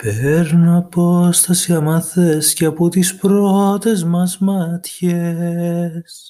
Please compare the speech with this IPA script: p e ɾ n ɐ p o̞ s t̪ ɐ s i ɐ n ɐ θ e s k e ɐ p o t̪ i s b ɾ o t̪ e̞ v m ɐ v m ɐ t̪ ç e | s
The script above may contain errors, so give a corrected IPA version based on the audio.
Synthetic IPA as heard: p e ɾ n ɐ p o̞ s t̪ ɐ s i ɐ m ɐ θ e s c e ɐ p o t̪ i s p ɾ o t̪ e̞ z m ɐ z m ɐ t̪ ç e | s